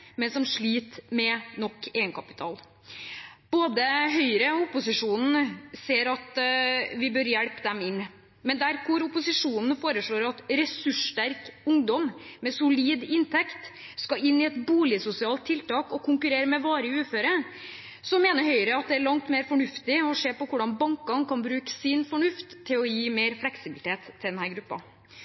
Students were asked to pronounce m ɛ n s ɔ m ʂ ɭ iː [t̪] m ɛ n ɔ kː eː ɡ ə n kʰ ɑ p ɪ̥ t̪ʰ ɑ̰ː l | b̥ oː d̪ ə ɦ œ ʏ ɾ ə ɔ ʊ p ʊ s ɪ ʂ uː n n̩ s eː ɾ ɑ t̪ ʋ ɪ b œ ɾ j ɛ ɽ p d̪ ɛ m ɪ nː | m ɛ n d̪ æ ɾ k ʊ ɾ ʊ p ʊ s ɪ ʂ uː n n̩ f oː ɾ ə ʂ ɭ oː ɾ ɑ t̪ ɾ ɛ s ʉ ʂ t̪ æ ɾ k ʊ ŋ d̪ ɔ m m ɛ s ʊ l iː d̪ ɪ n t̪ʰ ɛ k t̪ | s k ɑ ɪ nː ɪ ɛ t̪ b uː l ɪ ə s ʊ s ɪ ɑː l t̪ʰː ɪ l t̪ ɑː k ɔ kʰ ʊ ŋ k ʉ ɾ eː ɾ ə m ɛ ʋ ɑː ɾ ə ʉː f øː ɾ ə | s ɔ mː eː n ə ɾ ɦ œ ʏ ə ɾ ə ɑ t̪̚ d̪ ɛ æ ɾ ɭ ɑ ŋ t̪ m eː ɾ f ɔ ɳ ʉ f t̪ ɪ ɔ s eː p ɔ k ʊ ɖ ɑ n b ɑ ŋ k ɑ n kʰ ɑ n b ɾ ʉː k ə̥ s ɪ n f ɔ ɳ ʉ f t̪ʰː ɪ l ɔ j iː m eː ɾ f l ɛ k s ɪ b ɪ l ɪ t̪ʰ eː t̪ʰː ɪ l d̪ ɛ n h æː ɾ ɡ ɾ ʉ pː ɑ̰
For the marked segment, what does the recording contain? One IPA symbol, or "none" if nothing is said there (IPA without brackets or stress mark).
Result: t̪